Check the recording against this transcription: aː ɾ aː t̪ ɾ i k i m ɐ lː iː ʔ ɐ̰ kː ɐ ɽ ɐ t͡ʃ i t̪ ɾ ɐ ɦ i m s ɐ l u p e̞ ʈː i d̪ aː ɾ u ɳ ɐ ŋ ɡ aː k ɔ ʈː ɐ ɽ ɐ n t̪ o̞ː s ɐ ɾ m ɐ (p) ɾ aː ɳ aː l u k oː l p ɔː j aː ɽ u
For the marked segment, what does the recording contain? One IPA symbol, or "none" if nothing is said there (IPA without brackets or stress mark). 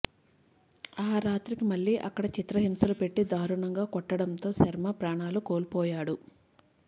p